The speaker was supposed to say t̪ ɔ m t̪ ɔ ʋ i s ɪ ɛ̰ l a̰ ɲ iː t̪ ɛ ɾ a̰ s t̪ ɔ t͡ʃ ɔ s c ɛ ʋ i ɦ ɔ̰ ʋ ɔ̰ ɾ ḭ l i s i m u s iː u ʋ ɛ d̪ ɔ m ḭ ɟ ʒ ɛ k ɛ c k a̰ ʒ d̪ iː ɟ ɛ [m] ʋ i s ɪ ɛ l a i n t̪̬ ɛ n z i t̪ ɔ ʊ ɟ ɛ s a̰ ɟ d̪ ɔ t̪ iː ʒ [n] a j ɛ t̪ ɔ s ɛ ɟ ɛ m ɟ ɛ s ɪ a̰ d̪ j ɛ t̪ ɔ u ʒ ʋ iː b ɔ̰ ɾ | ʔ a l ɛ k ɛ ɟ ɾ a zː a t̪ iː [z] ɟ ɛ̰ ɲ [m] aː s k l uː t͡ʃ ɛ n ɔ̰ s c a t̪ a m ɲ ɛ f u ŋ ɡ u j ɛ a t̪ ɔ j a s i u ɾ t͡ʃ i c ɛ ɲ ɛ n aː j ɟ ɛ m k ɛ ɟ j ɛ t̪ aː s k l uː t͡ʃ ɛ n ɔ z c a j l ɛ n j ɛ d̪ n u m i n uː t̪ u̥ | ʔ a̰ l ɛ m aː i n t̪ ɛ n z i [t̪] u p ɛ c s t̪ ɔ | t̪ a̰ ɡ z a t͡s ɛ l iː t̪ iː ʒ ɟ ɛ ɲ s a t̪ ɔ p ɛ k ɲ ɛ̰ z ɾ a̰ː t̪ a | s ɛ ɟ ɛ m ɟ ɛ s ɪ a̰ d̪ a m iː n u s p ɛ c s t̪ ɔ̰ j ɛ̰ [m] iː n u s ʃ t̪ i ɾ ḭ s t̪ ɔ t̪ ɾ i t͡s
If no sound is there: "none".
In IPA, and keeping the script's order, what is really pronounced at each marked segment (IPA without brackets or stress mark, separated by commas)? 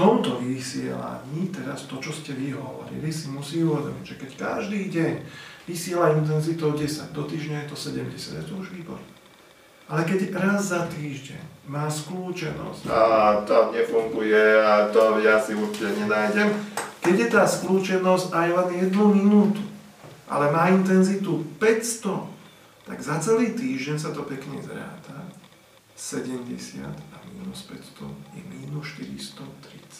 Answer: ɲ, ɲ, ʒ, m, t̪, m